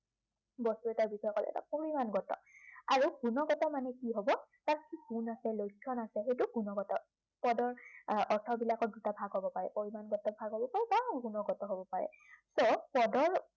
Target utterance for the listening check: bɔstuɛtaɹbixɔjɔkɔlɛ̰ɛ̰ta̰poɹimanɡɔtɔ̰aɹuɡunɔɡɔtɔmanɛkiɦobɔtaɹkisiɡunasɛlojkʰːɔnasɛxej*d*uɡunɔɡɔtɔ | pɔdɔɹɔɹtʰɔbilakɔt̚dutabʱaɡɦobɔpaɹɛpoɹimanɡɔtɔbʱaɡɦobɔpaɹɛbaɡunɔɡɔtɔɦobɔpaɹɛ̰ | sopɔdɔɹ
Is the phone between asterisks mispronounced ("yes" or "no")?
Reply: yes